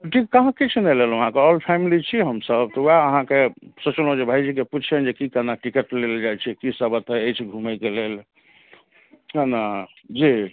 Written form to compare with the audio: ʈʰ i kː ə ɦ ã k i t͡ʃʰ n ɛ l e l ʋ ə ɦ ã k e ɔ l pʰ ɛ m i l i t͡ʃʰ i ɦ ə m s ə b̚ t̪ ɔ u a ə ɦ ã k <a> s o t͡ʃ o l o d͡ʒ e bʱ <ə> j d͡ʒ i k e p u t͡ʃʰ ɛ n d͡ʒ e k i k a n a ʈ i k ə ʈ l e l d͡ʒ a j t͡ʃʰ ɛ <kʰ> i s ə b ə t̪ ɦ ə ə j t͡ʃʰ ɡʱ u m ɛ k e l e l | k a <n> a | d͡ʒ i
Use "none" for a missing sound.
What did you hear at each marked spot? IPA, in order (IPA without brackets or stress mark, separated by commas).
e, a, k, n